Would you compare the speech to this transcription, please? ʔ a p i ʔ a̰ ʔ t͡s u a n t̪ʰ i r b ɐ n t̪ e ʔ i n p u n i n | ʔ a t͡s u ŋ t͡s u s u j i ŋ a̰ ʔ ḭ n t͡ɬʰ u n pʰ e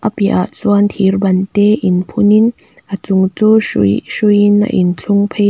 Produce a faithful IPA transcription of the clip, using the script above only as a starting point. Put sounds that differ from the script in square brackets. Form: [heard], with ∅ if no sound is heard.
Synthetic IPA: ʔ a p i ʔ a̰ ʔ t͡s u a n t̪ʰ i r b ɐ n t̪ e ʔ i n [pʰ] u n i n | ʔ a t͡s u ŋ t͡s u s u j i [n] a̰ ʔ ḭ n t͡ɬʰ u [ŋ] pʰ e